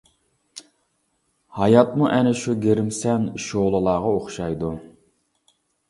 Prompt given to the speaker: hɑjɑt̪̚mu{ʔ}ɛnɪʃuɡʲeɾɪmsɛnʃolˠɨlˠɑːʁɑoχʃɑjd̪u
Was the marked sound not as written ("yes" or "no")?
no